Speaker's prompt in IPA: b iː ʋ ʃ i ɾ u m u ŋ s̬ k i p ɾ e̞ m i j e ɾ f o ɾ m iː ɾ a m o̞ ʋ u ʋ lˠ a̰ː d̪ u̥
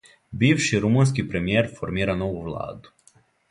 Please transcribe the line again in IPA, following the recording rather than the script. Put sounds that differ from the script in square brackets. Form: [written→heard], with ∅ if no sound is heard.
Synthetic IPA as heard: b iː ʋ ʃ i ɾ u m u [ŋ→n] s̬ k i p ɾ e̞ m i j e ɾ f o ɾ m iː ɾ a [m→n] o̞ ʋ u ʋ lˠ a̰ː d̪ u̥